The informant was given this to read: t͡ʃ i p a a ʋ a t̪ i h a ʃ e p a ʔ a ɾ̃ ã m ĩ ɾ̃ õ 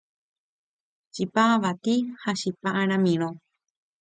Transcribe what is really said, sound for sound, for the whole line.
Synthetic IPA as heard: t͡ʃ i p a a ʋ a t̪ i h a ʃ i p a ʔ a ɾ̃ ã m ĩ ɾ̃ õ